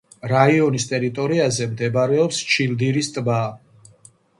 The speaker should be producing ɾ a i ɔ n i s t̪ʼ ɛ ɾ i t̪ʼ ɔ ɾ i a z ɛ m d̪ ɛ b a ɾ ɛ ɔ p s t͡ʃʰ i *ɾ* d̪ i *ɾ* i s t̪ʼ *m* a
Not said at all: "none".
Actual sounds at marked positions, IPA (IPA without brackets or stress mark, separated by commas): l, ɾ, b